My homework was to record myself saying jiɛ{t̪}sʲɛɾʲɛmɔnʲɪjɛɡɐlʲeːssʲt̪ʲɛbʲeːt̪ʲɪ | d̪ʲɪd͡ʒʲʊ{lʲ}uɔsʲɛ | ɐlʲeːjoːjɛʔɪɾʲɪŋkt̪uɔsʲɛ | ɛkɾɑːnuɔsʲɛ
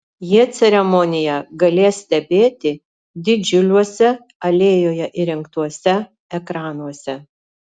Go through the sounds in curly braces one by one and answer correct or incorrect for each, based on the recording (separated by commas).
correct, correct